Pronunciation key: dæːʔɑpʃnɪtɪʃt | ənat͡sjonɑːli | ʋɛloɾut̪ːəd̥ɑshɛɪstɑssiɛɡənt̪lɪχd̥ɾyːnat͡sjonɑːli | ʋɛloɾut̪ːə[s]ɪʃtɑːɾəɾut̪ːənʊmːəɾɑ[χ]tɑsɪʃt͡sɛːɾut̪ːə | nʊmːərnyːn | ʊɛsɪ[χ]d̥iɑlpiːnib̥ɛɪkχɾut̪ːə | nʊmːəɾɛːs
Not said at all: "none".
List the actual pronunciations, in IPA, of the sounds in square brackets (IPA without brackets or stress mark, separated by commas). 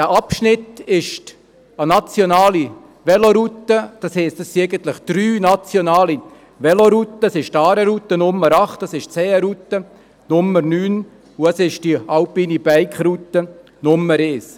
s, χ, ʃ